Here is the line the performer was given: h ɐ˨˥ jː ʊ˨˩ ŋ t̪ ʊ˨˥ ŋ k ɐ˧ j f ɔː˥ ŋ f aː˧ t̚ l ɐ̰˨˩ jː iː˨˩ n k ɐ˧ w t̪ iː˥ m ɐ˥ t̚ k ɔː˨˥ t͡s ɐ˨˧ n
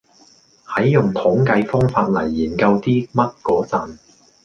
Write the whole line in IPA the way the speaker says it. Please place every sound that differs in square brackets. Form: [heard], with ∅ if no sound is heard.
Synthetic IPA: h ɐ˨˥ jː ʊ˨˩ ŋ [t̪ʰ] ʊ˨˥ ŋ k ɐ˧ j f ɔː˥ ŋ f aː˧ t̚ l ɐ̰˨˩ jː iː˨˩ n k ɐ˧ w t̪ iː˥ m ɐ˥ t̚ k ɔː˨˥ t͡s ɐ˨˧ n